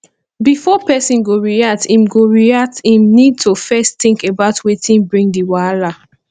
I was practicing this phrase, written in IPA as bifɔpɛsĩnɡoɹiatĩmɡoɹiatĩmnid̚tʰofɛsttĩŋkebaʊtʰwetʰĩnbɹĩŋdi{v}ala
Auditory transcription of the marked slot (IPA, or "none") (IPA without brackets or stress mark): w